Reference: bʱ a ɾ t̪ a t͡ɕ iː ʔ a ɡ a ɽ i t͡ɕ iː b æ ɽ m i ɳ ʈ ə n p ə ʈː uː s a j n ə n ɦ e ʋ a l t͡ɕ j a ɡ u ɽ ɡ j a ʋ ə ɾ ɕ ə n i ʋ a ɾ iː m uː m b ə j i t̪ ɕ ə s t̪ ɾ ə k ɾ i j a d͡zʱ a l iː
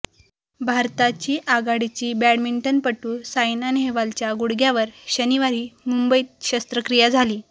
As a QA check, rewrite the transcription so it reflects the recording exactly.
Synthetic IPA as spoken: bʱ a ɾ t̪ a t͡ɕ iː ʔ a ɡ a ɽ i t͡ɕ iː b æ ɽ m i ɳ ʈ ə n p ə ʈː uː s a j n a n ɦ e ʋ a l t͡ɕ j a ɡ u ɽ ɡ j a ʋ ə ɾ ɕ ə n i ʋ a ɾ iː m u m b ə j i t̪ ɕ ə s t̪ ɾ ə k ɾ i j a d͡zʱ a l iː